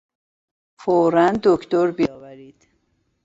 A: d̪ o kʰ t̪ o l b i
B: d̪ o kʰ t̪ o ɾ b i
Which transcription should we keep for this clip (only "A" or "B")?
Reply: B